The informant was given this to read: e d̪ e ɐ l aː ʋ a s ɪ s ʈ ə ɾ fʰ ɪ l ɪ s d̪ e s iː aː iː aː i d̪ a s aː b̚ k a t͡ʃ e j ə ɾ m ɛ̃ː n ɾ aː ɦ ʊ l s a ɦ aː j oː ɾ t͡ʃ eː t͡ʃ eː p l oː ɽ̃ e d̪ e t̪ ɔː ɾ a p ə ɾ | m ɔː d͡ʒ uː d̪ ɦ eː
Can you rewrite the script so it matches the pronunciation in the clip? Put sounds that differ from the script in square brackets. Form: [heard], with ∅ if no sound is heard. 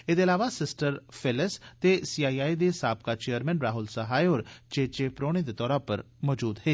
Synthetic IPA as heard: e d̪ e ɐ l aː ʋ a s ɪ s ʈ ə ɾ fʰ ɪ l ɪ s [t̪] e s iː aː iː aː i d̪ [e] s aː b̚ k a t͡ʃ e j ə ɾ m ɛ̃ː n ɾ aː ɦ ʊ l s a ɦ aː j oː ɾ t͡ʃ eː t͡ʃ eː p [ɾ] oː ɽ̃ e d̪ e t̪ ɔː ɾ a p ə ɾ | m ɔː d͡ʒ uː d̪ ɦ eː